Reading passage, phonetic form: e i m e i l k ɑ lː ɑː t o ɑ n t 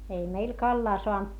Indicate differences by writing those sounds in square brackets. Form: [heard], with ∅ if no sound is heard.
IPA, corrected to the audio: e i m e i l k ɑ lː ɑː [s] o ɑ n t